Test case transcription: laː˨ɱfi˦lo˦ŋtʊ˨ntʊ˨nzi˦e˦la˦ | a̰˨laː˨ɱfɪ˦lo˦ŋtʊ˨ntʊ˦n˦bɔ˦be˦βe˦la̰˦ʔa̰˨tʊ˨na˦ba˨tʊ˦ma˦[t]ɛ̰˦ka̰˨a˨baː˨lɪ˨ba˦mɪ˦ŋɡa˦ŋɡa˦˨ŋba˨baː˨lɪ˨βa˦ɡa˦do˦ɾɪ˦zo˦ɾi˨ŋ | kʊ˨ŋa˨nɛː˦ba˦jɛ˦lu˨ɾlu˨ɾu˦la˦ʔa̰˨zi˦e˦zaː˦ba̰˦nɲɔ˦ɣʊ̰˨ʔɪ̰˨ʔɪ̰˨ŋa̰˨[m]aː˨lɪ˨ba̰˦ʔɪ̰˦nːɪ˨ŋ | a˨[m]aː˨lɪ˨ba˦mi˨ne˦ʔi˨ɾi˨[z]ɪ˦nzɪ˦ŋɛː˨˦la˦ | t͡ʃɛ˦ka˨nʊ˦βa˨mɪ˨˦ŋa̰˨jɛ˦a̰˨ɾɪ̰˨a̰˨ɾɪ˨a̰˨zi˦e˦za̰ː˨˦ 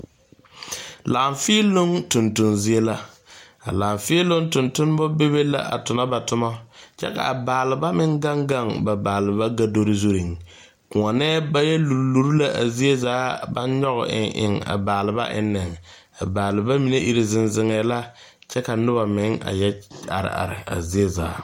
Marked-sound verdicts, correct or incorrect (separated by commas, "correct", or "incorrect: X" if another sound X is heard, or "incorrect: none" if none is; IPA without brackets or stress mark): incorrect: t͡ʃ, incorrect: b, incorrect: b, correct